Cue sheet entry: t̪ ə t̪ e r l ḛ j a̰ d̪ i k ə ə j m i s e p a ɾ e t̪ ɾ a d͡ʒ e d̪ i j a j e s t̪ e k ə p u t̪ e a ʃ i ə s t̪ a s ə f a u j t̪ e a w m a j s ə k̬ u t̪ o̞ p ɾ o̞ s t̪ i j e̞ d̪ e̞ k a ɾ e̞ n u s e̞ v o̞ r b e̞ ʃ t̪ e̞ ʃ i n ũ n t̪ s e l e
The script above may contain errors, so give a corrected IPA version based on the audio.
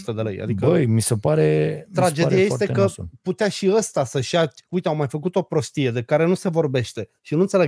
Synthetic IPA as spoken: t̪ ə d̪ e l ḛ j a̰ d̪ i k ə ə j m i s e p a ɾ e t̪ ɾ a d͡ʒ e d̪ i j a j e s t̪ e k ə p u t̪ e a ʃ i ə s t̪ a s ə ʃ a u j t̪ e a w m a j f ə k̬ u t̪ o̞ p ɾ o̞ s t̪ i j e̞ d̪ e̞ k a ɾ e̞ n u s e̞ v o̞ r b e̞ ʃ t̪ e̞ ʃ i n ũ n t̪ s e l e